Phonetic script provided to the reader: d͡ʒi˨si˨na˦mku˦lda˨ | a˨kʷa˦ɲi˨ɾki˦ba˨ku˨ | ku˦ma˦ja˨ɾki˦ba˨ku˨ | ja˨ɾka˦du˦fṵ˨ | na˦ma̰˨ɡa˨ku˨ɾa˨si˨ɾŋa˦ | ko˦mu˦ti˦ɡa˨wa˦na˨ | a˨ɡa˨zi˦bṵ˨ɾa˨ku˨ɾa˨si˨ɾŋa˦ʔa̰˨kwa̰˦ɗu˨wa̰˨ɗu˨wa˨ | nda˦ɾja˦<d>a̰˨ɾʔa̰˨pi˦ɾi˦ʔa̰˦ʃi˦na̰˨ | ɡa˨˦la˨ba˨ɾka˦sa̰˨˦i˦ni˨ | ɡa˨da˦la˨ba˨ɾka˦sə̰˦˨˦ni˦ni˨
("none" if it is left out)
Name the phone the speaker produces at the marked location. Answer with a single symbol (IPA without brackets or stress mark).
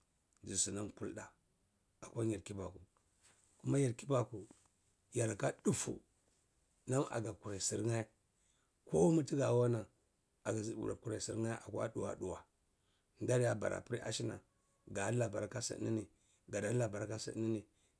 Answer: b